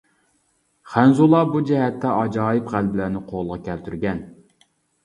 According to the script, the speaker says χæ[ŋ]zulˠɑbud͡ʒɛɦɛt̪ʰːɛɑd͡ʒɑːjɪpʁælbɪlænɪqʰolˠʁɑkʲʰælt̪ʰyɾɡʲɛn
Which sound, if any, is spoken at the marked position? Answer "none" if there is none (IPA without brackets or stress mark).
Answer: n